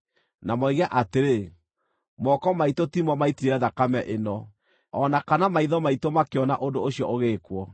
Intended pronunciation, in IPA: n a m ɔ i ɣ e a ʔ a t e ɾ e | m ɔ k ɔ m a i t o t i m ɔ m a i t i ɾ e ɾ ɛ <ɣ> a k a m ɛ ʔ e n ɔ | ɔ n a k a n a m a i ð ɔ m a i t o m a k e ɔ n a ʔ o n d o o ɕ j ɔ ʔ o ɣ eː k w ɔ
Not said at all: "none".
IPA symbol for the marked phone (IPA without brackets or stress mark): ð